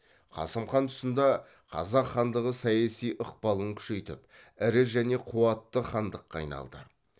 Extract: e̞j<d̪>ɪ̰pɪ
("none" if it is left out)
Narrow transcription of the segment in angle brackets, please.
t̪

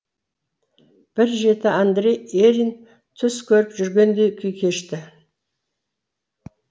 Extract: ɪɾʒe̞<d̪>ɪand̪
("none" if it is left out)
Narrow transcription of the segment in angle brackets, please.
t̪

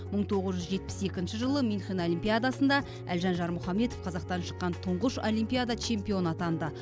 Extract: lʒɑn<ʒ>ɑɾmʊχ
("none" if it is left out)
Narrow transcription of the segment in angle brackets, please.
ʒ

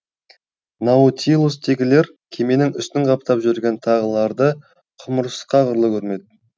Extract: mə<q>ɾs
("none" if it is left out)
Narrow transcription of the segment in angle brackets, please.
none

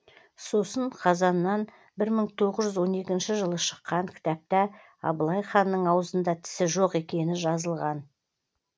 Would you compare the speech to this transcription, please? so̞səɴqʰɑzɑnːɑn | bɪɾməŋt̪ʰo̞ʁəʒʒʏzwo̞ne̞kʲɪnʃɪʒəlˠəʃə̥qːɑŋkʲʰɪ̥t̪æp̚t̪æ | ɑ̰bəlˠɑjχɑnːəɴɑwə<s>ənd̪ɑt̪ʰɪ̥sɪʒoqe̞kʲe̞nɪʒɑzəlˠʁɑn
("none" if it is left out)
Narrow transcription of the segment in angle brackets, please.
z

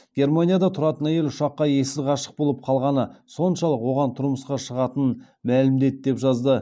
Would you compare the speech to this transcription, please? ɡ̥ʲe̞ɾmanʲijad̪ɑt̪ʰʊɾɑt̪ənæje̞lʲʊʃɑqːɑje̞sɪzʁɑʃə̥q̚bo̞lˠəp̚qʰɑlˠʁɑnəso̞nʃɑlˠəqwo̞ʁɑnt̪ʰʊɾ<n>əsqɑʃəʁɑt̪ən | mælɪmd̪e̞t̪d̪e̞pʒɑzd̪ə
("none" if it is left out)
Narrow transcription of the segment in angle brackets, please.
m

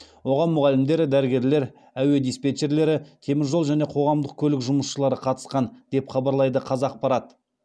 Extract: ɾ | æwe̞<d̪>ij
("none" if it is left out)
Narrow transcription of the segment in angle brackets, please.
d̪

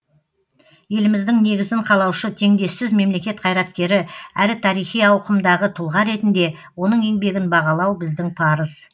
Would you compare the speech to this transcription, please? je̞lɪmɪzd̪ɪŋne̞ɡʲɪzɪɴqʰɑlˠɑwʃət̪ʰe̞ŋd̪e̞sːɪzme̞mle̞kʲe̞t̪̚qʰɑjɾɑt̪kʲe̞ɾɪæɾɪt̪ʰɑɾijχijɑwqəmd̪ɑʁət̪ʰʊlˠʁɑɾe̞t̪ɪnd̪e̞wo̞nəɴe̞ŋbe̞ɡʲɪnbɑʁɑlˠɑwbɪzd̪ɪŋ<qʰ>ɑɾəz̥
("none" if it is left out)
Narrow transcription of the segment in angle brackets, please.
pʰ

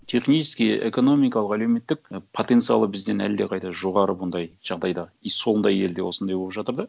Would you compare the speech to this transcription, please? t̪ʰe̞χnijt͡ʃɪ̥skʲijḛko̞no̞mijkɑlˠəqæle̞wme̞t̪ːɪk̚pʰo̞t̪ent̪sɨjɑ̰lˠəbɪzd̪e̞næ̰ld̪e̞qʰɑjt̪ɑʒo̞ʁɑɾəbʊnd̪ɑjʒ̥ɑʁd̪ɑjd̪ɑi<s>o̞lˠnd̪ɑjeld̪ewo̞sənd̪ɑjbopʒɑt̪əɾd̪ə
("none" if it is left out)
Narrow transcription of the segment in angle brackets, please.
s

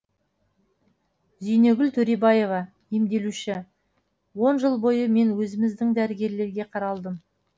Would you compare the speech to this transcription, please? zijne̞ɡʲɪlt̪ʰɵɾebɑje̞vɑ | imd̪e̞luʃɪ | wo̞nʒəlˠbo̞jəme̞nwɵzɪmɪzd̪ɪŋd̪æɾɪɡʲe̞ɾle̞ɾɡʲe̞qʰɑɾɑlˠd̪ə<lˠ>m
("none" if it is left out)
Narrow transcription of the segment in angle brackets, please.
none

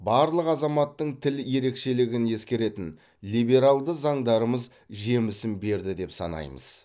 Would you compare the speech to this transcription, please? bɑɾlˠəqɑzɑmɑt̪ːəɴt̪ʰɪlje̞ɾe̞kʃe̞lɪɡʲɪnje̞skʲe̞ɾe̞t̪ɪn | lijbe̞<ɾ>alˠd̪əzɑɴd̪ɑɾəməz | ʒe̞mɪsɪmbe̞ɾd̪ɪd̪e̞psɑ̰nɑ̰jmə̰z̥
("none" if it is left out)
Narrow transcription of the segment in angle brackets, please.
ɾ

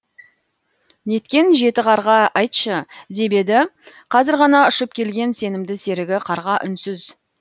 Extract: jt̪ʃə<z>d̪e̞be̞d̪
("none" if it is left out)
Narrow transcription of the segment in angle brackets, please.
none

